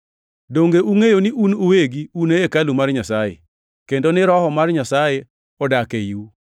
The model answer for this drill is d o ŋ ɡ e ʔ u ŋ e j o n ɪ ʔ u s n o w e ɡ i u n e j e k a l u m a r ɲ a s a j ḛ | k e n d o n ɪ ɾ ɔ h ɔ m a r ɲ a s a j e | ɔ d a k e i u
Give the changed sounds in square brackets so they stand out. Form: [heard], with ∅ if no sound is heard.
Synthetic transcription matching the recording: d o ŋ ɡ e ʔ u ŋ e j o n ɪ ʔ u [∅] n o w e ɡ i u n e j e k a l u m a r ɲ a s a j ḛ | k e n d o n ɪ ɾ ɔ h ɔ m a r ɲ a s a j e | ɔ d a k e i u